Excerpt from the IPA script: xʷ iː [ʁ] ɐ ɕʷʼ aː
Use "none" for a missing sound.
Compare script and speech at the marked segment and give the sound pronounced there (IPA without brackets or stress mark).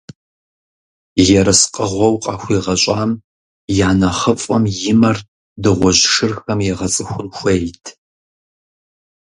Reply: ʁ